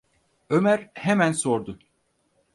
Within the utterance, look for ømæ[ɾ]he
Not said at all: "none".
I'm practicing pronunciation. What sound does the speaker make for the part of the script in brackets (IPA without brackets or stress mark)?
ɾ